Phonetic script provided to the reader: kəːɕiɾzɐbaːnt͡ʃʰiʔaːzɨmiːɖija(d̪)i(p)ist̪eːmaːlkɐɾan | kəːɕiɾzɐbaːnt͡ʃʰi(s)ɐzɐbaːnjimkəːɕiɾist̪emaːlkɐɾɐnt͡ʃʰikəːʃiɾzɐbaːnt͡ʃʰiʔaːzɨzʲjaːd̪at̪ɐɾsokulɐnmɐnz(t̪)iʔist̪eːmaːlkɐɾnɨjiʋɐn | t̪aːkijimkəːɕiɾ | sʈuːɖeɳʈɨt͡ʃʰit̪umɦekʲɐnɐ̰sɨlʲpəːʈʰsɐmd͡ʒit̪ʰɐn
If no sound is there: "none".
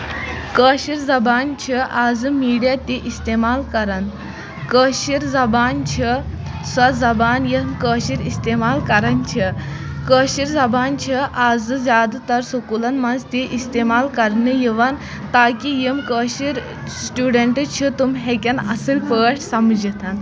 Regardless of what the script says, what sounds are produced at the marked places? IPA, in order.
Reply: t̪, ʔ, s, t̪

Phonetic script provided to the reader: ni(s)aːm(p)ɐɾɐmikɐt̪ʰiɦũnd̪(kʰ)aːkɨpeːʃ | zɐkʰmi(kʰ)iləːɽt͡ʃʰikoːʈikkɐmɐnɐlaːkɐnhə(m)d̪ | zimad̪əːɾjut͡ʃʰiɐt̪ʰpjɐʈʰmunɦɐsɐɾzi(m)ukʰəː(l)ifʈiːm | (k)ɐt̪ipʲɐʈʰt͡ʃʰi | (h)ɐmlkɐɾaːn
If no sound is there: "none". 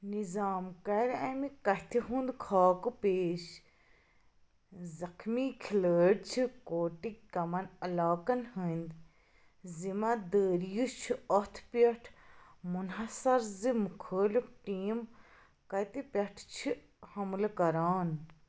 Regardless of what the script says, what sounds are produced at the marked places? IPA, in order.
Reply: z, k, kʰ, kʰ, n, m, l, k, h

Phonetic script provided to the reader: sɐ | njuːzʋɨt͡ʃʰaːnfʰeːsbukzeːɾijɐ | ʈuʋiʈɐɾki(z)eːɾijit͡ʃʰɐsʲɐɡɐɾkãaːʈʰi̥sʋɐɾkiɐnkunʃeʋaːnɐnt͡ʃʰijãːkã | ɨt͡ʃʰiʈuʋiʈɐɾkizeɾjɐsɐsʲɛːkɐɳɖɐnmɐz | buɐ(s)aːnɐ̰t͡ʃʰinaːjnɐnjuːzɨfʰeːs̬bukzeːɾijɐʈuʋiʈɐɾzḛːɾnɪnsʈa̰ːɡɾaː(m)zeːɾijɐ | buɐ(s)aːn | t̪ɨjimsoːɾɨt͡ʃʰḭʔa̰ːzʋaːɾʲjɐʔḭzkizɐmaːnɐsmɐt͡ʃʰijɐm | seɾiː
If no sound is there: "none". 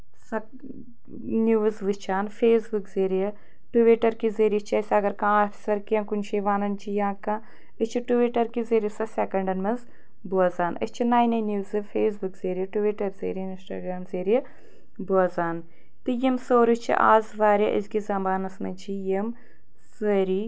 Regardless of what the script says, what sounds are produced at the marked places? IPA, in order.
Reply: z, z, m, z

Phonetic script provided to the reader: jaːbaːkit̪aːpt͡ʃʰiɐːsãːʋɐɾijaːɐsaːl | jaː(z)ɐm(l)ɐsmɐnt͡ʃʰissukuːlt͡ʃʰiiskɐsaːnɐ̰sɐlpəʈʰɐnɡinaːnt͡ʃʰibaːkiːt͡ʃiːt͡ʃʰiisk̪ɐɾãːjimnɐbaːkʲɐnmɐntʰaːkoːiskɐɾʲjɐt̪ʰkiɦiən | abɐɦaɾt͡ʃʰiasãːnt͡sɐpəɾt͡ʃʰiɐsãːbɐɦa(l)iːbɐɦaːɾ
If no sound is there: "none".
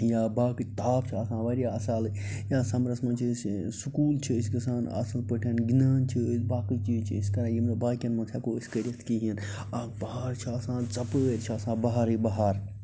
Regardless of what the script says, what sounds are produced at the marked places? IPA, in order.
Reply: s, ɾ, ɾ

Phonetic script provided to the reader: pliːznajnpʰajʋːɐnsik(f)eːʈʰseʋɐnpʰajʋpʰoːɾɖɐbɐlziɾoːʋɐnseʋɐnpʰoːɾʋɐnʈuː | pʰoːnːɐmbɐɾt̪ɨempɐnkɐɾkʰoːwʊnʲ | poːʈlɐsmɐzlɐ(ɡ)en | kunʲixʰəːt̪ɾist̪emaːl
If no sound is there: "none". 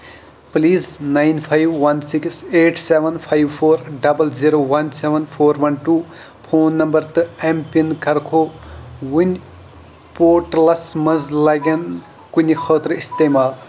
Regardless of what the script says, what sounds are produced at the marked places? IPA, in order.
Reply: s, ɡ

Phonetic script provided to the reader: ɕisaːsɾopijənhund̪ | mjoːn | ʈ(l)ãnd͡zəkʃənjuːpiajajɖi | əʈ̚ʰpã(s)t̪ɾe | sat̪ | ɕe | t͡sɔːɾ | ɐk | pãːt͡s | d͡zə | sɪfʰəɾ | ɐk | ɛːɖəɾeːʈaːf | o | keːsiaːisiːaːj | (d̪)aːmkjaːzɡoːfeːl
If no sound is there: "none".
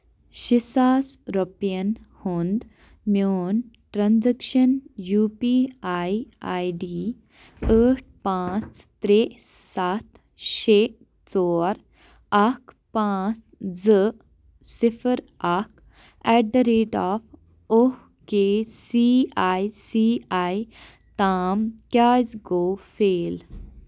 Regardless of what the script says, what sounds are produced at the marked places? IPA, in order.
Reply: ɾ, t͡s, t̪

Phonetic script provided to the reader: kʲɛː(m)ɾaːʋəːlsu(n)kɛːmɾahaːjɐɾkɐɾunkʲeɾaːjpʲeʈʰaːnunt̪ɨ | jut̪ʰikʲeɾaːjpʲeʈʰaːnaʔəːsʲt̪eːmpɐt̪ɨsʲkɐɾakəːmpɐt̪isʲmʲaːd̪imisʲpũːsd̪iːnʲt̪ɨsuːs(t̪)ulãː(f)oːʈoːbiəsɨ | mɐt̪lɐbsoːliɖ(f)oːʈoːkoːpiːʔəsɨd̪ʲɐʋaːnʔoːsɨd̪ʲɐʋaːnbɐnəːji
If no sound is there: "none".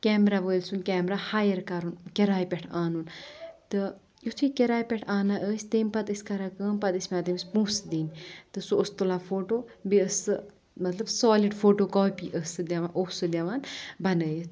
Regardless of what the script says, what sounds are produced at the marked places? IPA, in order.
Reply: m, n, t̪, f, f

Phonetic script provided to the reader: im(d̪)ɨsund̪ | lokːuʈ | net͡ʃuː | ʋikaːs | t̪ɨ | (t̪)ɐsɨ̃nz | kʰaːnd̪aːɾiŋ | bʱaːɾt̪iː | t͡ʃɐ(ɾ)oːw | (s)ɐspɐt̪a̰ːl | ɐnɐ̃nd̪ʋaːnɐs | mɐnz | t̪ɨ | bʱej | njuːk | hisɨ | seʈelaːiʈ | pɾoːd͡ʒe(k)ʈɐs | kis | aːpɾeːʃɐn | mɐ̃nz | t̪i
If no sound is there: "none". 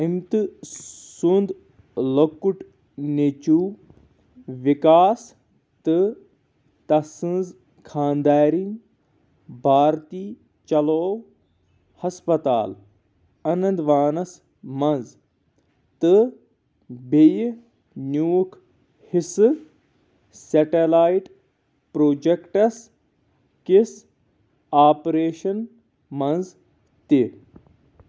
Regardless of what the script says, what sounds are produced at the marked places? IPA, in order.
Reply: t̪, t̪, l, h, k

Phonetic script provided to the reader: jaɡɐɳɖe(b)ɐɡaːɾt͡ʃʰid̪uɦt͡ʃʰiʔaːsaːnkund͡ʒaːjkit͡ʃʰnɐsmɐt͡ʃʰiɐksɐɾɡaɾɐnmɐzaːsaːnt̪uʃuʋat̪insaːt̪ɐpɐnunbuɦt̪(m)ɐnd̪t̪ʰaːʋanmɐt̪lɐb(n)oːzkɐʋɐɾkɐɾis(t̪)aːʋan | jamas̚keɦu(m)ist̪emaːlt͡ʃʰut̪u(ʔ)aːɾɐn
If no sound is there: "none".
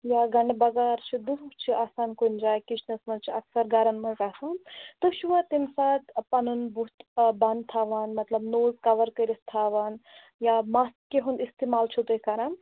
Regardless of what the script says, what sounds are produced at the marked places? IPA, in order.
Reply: b, b, n, t̪ʰ, n, k

